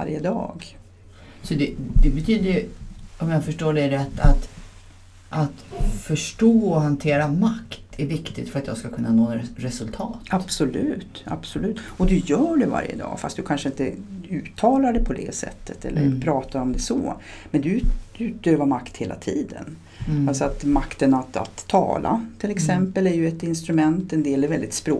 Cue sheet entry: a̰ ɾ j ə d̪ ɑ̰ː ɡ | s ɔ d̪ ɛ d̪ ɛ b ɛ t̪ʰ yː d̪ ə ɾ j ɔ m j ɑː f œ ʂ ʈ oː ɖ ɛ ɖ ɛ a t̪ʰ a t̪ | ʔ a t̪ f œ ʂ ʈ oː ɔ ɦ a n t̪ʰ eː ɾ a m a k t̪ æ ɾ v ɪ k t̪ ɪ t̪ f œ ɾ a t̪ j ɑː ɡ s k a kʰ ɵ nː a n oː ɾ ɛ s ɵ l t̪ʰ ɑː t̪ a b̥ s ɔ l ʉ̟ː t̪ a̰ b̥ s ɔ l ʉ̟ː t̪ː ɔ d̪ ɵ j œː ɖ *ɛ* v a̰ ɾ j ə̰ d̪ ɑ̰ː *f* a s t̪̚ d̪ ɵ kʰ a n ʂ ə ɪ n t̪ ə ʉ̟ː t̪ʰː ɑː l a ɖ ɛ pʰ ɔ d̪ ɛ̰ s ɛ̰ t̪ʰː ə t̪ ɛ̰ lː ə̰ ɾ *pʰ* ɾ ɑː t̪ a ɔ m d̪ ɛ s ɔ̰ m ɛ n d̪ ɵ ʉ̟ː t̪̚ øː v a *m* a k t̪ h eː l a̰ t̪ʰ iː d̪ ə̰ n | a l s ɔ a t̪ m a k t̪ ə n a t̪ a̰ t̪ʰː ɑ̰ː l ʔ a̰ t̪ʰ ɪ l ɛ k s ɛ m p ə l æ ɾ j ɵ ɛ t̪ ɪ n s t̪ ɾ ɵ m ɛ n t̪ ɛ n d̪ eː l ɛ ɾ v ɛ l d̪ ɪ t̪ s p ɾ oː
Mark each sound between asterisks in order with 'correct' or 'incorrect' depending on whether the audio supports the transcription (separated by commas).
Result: correct, correct, correct, correct